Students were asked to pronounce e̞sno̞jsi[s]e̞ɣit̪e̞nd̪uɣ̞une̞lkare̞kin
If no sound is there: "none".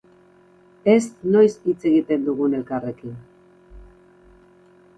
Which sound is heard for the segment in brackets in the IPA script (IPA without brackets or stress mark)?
t͡s